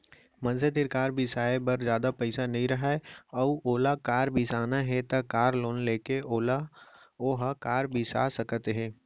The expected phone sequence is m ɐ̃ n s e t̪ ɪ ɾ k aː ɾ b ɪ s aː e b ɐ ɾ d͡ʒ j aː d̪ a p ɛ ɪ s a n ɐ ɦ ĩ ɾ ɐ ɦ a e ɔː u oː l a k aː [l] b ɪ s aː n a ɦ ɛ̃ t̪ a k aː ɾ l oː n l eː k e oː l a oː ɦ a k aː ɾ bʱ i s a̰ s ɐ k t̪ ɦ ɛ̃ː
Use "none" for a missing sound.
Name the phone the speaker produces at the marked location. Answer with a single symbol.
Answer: ɾ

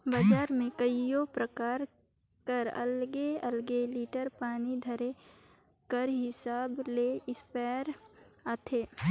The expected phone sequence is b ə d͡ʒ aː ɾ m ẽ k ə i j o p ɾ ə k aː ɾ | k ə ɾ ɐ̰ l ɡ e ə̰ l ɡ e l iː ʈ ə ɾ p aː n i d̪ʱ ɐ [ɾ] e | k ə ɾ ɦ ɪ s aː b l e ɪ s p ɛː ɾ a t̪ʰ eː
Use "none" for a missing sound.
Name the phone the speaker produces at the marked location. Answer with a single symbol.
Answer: ɾ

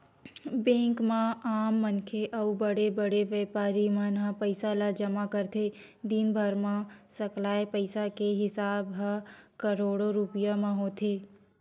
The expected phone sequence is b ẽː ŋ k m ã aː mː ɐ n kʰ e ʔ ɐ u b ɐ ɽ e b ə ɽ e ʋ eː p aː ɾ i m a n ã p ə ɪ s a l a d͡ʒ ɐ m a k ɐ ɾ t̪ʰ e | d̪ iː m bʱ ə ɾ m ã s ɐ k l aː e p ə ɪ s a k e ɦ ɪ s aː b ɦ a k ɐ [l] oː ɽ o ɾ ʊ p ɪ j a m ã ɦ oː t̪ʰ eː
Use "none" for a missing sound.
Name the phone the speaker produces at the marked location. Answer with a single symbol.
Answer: ɾ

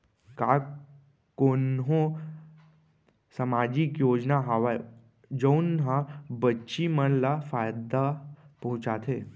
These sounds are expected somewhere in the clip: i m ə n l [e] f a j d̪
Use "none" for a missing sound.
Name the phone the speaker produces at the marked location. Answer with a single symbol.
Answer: a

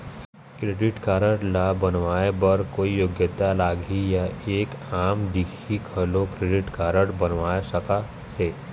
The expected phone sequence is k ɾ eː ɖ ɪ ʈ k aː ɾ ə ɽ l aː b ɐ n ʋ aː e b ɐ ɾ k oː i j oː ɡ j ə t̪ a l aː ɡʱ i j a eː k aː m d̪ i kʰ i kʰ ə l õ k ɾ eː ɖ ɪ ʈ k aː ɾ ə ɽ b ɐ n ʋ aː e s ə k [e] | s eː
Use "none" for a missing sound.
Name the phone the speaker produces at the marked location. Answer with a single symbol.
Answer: a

